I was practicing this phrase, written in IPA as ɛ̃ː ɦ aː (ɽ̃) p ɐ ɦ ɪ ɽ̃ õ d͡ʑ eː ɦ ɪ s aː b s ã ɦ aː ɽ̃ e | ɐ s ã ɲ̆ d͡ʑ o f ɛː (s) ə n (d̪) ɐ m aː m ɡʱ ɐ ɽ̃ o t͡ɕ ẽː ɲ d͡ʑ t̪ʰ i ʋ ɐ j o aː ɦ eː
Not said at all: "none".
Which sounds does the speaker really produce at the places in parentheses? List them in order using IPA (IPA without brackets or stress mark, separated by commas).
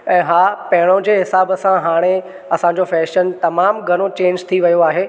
none, ʃ, t̪